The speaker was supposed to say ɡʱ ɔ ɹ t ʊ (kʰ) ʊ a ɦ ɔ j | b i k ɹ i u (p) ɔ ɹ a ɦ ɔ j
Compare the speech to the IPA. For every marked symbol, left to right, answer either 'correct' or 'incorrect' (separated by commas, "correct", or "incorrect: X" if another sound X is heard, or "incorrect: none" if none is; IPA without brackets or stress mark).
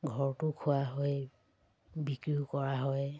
correct, incorrect: k